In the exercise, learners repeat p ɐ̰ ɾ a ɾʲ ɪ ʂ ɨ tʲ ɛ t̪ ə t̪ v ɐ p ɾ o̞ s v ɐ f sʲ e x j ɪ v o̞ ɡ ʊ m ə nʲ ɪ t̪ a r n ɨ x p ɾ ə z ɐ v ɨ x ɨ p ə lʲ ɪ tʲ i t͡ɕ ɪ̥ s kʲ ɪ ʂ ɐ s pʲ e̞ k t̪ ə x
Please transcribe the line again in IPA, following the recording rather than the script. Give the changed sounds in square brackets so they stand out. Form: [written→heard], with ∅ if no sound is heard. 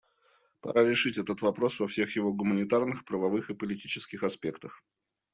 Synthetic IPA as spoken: p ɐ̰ ɾ a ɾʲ ɪ ʂ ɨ tʲ ɛ t̪ ə t̪ v ɐ p ɾ o̞ s v ɐ f sʲ e x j ɪ v o̞ ɡ ʊ m ə nʲ ɪ t̪ a r n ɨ x p ɾ ə [z→v] ɐ v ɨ x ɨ p ə lʲ ɪ tʲ i t͡ɕ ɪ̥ s kʲ ɪ [ʂ→x] ɐ s pʲ e̞ k t̪ ə x

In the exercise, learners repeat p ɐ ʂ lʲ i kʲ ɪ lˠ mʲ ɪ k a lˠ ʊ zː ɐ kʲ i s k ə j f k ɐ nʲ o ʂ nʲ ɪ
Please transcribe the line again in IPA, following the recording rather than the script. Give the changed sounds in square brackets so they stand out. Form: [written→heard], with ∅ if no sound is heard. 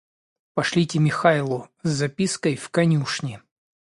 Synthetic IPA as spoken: p ɐ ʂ lʲ i [kʲ→tʲ] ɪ [lˠ→∅] mʲ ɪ [k→x] a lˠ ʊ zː ɐ [kʲ→pʲ] i s k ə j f k ɐ nʲ [o→u] ʂ nʲ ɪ

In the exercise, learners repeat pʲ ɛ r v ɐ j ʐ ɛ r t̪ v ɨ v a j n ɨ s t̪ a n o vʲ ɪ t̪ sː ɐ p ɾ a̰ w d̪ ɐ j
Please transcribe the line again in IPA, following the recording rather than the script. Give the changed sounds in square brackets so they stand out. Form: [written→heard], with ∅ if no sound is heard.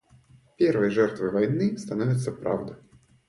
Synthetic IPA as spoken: pʲ ɛ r v ɐ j ʐ ɛ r t̪ v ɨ v a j n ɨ s t̪ a n [o→ɔ] vʲ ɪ t̪ sː ɐ p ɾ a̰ w d̪ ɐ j

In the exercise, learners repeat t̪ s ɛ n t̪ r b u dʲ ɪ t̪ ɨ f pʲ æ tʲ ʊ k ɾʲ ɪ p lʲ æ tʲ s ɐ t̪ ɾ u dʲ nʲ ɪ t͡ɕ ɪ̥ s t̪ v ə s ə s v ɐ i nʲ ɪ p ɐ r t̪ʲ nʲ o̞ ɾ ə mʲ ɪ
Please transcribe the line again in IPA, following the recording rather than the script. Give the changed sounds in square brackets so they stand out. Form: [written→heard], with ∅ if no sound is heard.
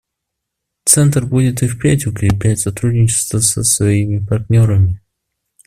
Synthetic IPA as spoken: t̪ s ɛ n t̪ r b u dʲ ɪ t̪ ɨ f pʲ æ tʲ ʊ k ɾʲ ɪ p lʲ æ tʲ s ɐ t̪ ɾ u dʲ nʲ ɪ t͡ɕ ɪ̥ s t̪ v ə s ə s v ɐ i [nʲ→mʲ] ɪ p ɐ r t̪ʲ nʲ o̞ ɾ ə mʲ ɪ

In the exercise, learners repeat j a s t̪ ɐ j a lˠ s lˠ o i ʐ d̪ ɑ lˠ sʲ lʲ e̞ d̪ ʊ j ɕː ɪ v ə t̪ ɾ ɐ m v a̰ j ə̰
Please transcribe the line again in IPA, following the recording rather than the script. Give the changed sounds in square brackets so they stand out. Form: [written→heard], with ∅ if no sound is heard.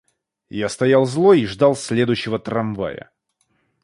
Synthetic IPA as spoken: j a s t̪ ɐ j a lˠ [s→z] lˠ o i ʐ d̪ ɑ lˠ sʲ lʲ e̞ d̪ ʊ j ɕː ɪ v ə t̪ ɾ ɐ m v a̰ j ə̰

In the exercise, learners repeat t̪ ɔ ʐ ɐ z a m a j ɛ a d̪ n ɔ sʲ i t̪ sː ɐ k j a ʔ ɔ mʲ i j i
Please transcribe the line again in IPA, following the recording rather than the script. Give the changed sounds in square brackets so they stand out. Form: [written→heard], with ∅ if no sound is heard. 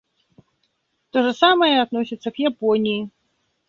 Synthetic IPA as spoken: t̪ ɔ ʐ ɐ [z→s] a m [a→ɐ] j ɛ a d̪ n ɔ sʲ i t̪ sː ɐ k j a [ʔ→p] ɔ [mʲ→nʲ] i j i

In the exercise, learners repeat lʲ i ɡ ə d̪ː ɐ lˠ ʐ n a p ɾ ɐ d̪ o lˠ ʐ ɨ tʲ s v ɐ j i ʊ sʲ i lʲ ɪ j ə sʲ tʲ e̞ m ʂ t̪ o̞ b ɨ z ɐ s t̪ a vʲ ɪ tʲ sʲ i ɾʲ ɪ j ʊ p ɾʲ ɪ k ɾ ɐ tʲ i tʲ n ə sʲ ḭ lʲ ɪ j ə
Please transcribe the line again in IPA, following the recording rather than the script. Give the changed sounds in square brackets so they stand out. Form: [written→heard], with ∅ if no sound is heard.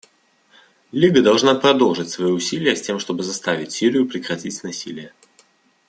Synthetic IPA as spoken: lʲ i ɡ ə [d̪ː→d̪] ɐ lˠ ʐ n a p ɾ ɐ d̪ o lˠ ʐ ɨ tʲ s v ɐ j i ʊ sʲ i lʲ ɪ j ə sʲ tʲ e̞ m ʂ t̪ o̞ b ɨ z ɐ s t̪ a vʲ ɪ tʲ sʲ i ɾʲ ɪ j ʊ p ɾʲ ɪ k ɾ ɐ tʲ i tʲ n [ə→ɐ] sʲ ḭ lʲ ɪ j ə

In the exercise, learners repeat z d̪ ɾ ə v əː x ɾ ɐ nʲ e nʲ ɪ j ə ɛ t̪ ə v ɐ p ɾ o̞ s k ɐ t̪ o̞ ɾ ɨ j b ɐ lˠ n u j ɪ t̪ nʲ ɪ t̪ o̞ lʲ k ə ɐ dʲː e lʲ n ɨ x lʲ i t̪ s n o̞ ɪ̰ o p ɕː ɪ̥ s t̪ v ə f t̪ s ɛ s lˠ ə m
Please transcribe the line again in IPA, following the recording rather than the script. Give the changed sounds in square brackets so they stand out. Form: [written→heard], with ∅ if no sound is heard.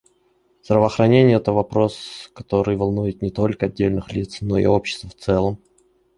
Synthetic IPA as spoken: z d̪ ɾ ə v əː x ɾ ɐ nʲ e nʲ ɪ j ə ɛ t̪ ə v ɐ p ɾ o̞ s k ɐ t̪ o̞ ɾ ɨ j [b→v] ɐ lˠ n u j ɪ t̪ nʲ ɪ t̪ o̞ lʲ k ə ɐ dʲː e lʲ n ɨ x lʲ i t̪ s n o̞ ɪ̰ o p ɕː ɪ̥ s t̪ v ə f t̪ s ɛ [s→∅] lˠ ə m

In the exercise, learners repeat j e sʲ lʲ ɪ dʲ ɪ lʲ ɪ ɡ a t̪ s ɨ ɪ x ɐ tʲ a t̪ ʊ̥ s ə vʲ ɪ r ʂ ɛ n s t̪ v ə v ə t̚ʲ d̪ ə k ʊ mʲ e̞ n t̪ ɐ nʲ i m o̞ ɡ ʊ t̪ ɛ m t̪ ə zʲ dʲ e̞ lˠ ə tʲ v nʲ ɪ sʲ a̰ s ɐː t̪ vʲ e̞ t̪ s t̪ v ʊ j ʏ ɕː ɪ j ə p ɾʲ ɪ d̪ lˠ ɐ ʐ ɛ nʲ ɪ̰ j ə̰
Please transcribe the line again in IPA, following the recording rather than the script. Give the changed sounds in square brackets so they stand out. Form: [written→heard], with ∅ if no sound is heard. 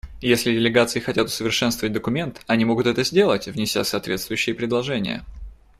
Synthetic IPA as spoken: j e sʲ lʲ ɪ dʲ ɪ lʲ ɪ ɡ a t̪ s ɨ ɪ x ɐ tʲ a t̪ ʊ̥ s ə vʲ ɪ r ʂ ɛ n s t̪ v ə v ə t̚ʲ d̪ ə k ʊ mʲ e̞ n t̪ ɐ nʲ i m o̞ ɡ ʊ t̪ ɛ [m→∅] t̪ ə zʲ dʲ e̞ lˠ ə tʲ v nʲ ɪ sʲ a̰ s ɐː t̪ vʲ e̞ t̪ s t̪ v ʊ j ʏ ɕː ɪ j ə p ɾʲ ɪ d̪ lˠ ɐ ʐ ɛ nʲ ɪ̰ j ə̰

